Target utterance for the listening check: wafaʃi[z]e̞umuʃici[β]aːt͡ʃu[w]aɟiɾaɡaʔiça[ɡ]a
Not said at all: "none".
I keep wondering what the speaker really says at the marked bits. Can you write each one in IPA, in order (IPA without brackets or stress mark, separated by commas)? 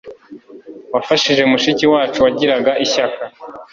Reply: ʒ, w, w, k